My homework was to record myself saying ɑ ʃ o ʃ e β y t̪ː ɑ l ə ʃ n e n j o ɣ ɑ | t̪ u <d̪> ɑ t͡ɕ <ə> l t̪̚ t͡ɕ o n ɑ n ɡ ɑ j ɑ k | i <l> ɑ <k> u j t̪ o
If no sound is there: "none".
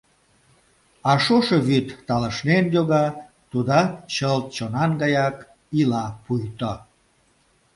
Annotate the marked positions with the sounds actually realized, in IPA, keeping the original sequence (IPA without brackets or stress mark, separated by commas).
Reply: d̪, ə, l, p